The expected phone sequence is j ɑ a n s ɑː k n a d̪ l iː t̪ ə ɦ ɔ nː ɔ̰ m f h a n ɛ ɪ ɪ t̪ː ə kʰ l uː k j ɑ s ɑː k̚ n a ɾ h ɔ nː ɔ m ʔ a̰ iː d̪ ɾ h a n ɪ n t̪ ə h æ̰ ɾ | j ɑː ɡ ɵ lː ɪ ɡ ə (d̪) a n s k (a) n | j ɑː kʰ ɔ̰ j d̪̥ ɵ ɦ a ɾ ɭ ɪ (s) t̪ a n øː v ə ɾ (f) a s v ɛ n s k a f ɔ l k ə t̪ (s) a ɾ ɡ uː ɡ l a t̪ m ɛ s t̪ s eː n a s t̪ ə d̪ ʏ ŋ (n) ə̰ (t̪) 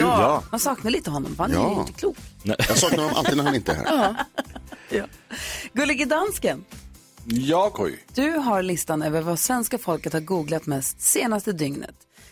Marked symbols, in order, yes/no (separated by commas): yes, no, yes, no, no, yes, yes